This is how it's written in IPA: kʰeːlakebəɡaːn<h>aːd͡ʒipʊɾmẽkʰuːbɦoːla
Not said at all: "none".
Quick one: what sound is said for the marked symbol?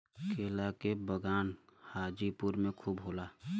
h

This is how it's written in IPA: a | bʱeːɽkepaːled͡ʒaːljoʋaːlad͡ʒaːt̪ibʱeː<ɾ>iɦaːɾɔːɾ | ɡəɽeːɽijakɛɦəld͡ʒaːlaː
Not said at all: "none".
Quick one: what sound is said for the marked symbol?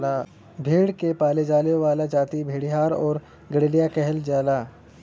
ɽ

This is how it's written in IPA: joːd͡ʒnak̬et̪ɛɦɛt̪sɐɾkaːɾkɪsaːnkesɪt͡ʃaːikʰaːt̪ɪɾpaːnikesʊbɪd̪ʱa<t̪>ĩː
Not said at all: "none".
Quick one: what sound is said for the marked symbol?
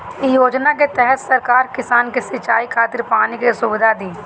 d̪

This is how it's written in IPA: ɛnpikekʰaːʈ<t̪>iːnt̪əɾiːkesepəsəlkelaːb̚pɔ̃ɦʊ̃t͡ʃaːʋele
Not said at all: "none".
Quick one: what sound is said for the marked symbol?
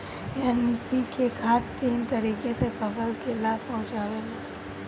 t̪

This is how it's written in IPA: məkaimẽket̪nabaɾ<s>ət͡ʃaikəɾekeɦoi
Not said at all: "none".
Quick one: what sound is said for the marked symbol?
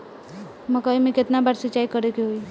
s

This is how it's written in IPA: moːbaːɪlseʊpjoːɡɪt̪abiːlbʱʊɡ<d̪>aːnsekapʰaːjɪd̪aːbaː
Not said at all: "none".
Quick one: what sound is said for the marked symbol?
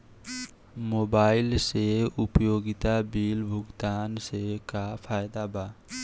t̪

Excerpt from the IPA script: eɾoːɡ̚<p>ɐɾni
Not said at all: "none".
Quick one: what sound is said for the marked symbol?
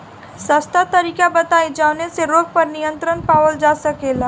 p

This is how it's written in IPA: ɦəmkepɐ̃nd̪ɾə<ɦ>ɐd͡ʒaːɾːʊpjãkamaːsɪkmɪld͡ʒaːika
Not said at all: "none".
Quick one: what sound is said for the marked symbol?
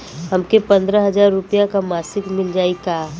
ɦ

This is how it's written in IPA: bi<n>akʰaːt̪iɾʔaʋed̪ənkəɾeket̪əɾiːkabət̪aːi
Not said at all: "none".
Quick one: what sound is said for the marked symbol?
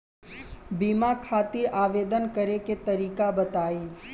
m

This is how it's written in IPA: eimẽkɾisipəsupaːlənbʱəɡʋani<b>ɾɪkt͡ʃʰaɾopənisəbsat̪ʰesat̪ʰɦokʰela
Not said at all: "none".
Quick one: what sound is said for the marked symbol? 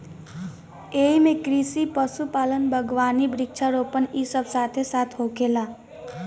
b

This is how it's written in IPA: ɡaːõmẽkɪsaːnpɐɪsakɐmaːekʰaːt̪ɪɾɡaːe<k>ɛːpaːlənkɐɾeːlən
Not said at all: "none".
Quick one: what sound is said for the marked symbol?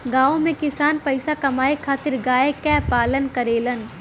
k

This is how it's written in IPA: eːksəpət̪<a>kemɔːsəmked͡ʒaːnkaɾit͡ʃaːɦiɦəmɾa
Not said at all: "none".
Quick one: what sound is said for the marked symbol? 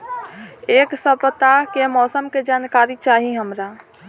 a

